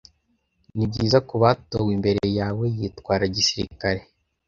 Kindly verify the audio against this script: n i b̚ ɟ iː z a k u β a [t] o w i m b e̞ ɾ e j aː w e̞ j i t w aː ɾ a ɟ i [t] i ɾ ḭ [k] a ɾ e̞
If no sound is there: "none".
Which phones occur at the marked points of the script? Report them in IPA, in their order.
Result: t, s, k

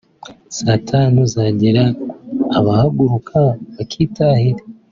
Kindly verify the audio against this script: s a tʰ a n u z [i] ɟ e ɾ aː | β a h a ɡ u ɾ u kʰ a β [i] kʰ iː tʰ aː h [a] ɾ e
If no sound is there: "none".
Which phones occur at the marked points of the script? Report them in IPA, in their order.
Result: a, a, i

